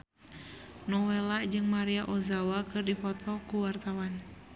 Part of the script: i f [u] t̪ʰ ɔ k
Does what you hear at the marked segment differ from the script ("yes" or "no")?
yes